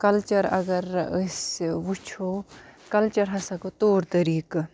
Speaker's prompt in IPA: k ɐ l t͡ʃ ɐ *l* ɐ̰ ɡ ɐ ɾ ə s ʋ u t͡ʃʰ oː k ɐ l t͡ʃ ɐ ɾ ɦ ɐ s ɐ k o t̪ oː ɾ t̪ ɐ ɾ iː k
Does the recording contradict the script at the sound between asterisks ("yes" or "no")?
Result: yes